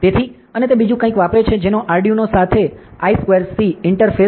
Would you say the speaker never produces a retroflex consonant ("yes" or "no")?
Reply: no